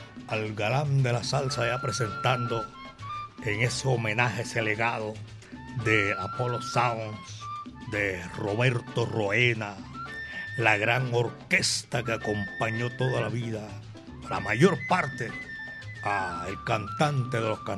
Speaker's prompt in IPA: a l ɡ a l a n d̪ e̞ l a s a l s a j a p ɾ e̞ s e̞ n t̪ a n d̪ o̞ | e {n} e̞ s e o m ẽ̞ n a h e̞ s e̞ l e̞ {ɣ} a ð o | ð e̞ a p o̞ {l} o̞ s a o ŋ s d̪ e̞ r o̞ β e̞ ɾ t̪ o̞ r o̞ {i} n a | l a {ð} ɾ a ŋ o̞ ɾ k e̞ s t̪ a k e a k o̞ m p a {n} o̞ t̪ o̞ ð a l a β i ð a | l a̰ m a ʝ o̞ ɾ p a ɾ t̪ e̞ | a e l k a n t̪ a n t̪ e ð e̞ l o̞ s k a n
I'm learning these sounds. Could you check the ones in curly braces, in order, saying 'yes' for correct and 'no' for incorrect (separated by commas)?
no, yes, yes, no, no, no